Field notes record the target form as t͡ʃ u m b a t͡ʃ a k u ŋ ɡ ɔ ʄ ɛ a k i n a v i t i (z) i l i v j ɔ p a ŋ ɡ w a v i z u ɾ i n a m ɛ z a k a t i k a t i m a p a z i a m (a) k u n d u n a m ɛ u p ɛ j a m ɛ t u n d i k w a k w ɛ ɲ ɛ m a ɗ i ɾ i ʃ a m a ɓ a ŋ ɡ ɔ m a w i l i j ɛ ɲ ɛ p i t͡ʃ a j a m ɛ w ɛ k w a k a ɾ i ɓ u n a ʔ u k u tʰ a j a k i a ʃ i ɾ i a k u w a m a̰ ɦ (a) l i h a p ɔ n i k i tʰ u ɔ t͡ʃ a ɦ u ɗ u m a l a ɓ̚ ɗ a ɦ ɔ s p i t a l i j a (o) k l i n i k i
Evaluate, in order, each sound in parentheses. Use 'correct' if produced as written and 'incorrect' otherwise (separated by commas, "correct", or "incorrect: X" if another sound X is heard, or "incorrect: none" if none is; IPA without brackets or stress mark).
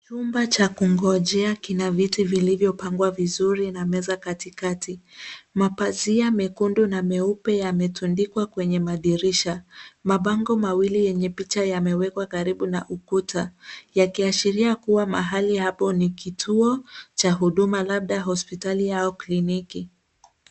incorrect: v, incorrect: ɛ, correct, incorrect: ɔ